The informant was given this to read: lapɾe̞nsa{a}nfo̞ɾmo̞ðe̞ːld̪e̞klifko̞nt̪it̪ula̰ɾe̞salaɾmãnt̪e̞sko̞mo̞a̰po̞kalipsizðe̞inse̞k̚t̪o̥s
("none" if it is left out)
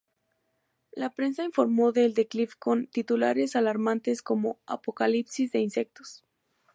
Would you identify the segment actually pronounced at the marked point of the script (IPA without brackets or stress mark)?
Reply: i